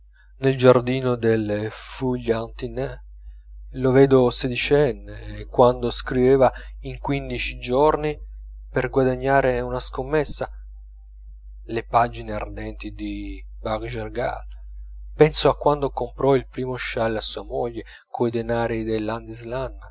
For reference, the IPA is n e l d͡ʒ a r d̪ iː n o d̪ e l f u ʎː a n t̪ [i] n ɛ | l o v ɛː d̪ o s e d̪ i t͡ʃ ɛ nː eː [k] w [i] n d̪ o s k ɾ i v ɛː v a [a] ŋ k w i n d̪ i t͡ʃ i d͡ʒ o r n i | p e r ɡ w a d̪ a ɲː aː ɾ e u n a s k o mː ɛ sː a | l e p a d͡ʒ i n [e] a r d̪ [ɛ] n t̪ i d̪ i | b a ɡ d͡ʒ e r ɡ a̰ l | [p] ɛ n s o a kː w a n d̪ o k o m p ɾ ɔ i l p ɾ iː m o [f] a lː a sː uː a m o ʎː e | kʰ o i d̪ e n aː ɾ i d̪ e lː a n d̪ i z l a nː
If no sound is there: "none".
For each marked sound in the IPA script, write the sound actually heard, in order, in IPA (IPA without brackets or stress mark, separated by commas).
i, k, a, i, e, ɛ, p, ʃ